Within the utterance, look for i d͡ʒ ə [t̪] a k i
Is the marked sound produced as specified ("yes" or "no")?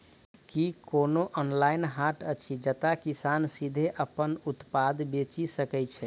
yes